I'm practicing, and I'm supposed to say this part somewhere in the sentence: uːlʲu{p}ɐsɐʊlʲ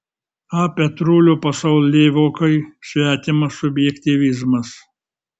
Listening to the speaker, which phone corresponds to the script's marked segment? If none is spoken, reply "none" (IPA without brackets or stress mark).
p